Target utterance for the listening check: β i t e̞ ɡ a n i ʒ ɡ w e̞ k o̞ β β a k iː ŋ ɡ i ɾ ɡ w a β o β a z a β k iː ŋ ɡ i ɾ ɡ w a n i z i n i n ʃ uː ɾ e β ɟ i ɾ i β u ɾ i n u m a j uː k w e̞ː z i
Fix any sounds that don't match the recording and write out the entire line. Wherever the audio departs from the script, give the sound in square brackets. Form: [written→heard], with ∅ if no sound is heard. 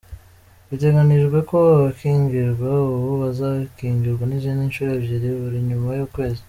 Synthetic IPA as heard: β i t e̞ ɡ a n i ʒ ɡ w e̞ k o̞ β β a k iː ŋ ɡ i ɾ ɡ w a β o β a z a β k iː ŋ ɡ i ɾ ɡ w a n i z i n i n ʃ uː ɾ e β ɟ i ɾ i β u ɾ i [n→ɲ] u m a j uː k w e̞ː z i